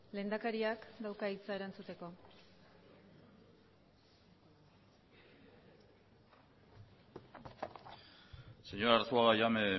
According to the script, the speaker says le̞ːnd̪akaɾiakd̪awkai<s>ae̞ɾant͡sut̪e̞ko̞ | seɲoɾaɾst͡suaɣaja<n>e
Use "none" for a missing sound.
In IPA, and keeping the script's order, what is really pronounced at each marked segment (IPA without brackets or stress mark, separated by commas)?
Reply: t͡s, m